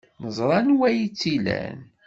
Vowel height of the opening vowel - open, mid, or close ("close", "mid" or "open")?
mid